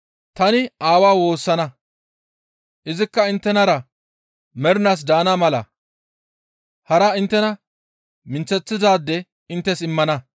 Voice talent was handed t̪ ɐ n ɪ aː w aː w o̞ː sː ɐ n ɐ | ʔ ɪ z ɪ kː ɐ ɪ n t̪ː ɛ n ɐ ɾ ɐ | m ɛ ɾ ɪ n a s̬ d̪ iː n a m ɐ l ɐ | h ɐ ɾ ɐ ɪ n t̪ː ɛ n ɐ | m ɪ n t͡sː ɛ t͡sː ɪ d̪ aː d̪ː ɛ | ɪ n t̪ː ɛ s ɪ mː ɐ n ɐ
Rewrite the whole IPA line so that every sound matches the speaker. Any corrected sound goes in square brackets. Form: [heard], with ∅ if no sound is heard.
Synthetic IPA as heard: t̪ ɐ n ɪ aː w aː w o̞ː sː ɐ n ɐ | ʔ ɪ z ɪ kː ɐ ɪ n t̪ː ɛ n ɐ ɾ ɐ | m ɛ ɾ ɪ n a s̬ d̪ [aː] n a m ɐ l ɐ | h ɐ ɾ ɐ ɪ n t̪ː ɛ n ɐ | m ɪ n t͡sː ɛ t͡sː ɪ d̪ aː d̪ː ɛ | ɪ n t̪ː ɛ s ɪ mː ɐ n ɐ